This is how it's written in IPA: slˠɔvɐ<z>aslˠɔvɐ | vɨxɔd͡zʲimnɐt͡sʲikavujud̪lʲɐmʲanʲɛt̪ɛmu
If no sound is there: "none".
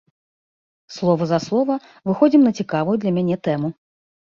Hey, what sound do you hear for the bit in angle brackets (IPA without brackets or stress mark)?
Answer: z